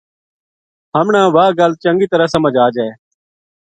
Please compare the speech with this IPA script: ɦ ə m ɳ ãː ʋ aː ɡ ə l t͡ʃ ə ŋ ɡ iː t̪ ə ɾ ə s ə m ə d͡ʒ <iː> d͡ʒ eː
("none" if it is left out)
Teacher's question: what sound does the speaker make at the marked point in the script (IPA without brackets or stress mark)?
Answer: aː